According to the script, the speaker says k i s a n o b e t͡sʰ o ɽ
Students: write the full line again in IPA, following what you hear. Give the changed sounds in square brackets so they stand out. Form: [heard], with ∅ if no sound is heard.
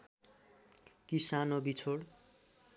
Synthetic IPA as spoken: k i s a n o b [i] t͡sʰ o ɽ